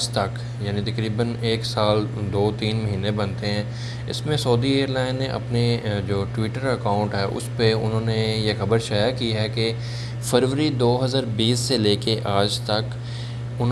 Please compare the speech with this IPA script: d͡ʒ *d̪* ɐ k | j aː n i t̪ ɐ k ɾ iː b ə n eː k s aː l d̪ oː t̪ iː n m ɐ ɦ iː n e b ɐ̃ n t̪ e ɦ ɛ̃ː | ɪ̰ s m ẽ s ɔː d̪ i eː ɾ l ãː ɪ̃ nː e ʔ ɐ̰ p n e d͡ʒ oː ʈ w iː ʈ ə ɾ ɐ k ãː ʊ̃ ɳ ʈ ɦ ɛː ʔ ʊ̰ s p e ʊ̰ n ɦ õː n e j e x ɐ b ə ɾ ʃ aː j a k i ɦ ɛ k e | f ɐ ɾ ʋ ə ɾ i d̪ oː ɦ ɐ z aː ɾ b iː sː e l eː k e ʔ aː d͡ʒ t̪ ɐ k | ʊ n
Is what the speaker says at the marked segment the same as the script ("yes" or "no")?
no